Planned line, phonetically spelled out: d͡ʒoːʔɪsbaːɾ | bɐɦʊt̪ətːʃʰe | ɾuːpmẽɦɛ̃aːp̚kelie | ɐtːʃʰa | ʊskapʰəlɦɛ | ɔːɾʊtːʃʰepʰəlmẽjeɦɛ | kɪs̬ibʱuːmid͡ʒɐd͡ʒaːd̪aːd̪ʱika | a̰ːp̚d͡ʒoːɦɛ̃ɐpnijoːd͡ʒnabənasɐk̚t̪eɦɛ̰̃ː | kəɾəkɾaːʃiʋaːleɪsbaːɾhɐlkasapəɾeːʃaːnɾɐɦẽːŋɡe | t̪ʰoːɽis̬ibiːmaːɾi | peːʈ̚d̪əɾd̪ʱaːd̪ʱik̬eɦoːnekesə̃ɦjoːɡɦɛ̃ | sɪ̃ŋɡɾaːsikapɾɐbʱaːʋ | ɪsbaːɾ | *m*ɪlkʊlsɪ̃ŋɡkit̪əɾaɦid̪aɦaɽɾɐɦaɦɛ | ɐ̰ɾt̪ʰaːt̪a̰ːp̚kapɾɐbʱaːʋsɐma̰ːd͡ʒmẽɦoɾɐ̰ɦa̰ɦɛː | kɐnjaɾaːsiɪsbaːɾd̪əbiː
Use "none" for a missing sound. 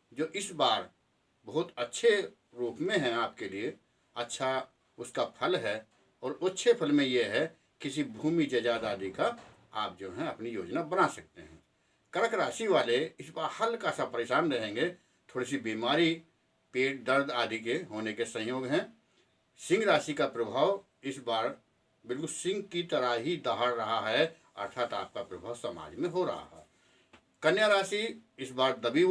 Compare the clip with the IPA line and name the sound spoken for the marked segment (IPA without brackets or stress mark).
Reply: b